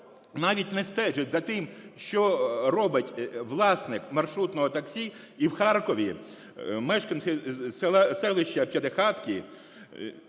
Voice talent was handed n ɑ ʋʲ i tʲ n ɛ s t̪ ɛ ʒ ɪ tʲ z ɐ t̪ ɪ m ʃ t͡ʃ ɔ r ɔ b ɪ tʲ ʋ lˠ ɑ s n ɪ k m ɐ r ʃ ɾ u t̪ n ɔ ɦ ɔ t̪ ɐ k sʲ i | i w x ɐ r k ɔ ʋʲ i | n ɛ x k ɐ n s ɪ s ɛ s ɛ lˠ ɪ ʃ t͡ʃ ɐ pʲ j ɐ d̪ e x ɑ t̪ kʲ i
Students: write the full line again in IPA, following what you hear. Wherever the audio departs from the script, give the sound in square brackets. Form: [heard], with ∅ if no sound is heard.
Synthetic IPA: n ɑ ʋʲ i tʲ n ɛ s t̪ ɛ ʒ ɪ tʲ z ɐ t̪ ɪ m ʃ t͡ʃ ɔ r ɔ b ɪ tʲ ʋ lˠ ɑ s n ɪ k m ɐ r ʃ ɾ u t̪ n ɔ ɦ ɔ t̪ ɐ k sʲ i | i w x [ɑ] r k ɔ ʋʲ i | [m] ɛ [ʃ] k ɐ n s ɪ s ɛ s ɛ lˠ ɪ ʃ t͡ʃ ɐ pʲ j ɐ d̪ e x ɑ t̪ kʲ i